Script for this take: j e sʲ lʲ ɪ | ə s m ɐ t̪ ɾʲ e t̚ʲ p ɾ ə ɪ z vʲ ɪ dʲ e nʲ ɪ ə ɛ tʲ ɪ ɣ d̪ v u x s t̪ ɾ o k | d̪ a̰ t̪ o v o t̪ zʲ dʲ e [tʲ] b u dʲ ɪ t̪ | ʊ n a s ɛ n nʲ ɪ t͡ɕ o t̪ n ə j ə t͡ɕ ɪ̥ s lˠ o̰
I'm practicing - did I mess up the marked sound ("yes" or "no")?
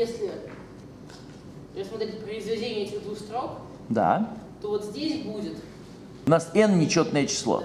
yes